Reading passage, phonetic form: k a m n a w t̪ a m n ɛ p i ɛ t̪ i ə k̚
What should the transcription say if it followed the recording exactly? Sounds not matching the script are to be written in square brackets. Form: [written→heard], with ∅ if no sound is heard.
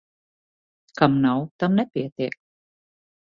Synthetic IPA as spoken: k a m n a w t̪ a m n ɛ p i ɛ t̪ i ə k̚

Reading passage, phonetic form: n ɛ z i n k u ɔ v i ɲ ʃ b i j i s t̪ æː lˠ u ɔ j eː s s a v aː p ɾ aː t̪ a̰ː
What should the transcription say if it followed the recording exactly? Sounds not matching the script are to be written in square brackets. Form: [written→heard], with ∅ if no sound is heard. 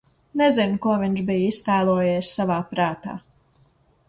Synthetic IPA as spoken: n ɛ z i n k u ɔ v i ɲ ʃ b i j i s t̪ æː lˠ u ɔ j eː s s a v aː p ɾ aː t̪ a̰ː

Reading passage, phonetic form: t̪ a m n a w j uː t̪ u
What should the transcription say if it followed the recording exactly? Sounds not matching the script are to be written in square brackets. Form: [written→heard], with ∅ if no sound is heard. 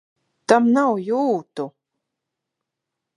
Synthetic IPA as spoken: t̪ a m n a w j uː t̪ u

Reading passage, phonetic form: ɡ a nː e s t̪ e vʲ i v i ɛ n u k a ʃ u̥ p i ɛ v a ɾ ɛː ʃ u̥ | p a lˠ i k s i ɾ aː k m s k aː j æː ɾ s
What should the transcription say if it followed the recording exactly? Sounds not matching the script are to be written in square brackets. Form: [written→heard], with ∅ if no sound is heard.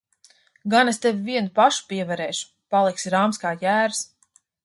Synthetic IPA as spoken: ɡ a [nː→n] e s t̪ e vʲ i v i ɛ n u [k→p] a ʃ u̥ p i ɛ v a ɾ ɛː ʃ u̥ | p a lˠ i k s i ɾ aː [k→∅] m s k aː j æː ɾ s

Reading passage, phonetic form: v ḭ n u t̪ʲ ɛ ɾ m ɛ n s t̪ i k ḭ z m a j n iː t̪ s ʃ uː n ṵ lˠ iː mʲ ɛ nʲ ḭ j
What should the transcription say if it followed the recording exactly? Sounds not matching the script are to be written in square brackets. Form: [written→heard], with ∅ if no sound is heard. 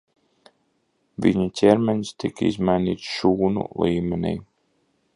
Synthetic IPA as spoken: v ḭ [n→ɲ] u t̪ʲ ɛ ɾ m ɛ n s t̪ i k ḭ z m a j n iː t̪ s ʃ uː n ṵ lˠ iː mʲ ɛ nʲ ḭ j

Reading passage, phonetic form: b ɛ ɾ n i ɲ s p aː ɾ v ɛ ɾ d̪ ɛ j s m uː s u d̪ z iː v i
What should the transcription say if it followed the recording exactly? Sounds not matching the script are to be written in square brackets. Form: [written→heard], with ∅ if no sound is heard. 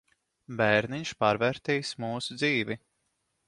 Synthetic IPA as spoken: b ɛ ɾ n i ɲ [s→ʃ] p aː ɾ v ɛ ɾ [d̪→t̪] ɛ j s m uː s u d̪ z iː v i

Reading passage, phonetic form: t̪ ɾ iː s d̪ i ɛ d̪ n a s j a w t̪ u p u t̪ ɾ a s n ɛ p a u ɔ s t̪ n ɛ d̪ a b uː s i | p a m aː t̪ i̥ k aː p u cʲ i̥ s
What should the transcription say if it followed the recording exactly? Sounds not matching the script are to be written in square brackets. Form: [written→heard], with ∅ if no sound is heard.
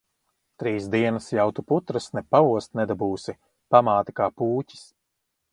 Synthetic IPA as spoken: t̪ ɾ iː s d̪ i ɛ [d̪→∅] n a s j a w t̪ u p u t̪ ɾ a s n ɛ p a u ɔ s t̪ n ɛ d̪ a b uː s i | p a m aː t̪ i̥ k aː p [u→uː] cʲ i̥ s

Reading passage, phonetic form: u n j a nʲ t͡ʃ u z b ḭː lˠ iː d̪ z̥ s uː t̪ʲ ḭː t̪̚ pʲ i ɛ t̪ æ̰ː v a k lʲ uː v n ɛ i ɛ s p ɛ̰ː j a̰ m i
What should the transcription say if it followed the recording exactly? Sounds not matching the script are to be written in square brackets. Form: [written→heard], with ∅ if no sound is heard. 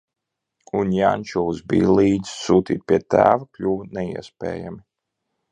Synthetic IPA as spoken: u n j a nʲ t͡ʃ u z b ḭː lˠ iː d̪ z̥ s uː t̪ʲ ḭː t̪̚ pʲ i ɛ t̪ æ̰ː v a k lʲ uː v n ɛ i ɛ s p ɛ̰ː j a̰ m i

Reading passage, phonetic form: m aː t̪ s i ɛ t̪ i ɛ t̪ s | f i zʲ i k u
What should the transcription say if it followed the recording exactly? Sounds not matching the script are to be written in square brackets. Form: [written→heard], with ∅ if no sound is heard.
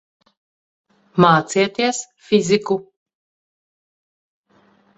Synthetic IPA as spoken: m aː t̪ s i ɛ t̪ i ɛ [t̪→∅] s | f i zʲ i k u

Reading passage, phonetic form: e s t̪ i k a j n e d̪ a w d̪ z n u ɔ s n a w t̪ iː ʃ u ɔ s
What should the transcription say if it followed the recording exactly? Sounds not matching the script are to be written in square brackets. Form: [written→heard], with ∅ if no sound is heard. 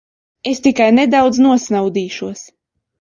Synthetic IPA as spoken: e s t̪ i k a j n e d̪ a w d̪ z n u ɔ s n a w [t̪→d̪] iː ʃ u ɔ s

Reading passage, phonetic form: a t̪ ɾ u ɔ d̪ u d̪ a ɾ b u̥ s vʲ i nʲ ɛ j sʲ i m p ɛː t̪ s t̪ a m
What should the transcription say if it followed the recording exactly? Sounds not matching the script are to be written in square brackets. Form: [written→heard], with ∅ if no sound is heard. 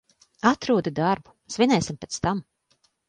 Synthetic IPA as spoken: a t̪ ɾ u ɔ d̪ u d̪ a ɾ b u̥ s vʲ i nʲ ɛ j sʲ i m p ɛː t̪ s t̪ a m

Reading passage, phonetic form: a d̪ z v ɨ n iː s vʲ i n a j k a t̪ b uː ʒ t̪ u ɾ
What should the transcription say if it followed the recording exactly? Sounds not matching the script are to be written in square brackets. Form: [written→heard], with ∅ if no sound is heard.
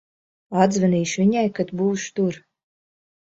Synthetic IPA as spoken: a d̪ z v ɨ n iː [s→ʃ] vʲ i [n→ɲ] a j k a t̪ b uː [ʒ→ʃ] t̪ u ɾ

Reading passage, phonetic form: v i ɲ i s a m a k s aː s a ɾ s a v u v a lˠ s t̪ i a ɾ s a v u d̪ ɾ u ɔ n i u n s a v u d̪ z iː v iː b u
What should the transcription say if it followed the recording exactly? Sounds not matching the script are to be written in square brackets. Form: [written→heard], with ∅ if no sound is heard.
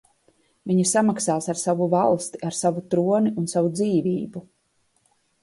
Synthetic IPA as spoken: v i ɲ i s a m a k s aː s a ɾ s a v u v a lˠ s t̪ i a ɾ s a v u [d̪→t̪] ɾ u ɔ n i u n s a v u d̪ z iː v iː b u

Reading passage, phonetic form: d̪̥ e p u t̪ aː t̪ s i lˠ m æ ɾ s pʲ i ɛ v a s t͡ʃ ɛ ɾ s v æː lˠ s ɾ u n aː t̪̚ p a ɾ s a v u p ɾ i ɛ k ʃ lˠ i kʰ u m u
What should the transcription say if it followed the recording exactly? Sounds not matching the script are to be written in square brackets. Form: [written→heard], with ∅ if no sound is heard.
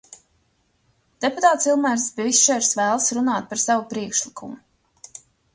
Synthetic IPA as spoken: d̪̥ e p u t̪ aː t̪ s i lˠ m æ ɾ s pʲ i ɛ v [a→i] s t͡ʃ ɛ ɾ s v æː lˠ s ɾ u n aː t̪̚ p a ɾ s a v u p ɾ i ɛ k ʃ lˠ i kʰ u m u

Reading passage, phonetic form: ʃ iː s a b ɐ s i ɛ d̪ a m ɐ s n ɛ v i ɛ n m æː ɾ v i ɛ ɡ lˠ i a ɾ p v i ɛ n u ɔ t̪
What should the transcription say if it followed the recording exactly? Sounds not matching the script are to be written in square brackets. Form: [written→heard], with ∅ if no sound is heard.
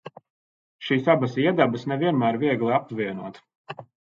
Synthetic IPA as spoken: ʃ iː s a b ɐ s i ɛ d̪ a [m→b] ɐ s n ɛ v i ɛ n m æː ɾ v i ɛ ɡ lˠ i a [ɾ→∅] p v i ɛ n u ɔ t̪

